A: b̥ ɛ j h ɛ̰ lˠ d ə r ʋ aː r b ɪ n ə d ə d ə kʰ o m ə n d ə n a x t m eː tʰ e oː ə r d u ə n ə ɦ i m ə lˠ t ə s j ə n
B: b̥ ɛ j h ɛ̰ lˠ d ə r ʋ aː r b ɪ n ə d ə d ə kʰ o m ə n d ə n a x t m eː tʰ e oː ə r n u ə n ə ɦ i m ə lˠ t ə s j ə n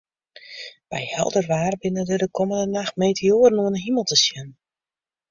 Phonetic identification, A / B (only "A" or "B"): B